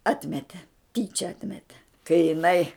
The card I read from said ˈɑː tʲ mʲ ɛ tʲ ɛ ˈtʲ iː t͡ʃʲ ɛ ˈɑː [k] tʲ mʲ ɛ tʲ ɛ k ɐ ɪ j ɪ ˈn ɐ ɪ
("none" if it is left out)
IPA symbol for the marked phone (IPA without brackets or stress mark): none